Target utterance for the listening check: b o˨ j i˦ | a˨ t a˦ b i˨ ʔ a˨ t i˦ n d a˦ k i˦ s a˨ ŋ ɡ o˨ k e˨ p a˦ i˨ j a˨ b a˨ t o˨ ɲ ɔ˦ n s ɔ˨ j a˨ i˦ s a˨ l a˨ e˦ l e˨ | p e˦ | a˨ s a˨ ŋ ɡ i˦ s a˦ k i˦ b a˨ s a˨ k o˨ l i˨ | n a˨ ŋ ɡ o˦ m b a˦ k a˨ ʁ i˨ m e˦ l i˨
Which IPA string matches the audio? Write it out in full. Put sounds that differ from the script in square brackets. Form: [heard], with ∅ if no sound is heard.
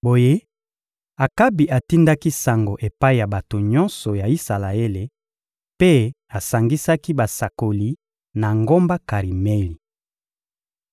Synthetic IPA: b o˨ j [e˦] | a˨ [k] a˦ b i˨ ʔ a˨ t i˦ n d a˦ k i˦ s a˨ ŋ ɡ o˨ [ʔ] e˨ p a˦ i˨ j a˨ b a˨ t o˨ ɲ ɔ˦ n s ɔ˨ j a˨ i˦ s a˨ l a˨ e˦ l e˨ | p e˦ | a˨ s a˨ ŋ ɡ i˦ s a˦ k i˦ b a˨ s a˨ k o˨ l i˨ | n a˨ ŋ ɡ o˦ m b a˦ k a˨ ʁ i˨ m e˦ l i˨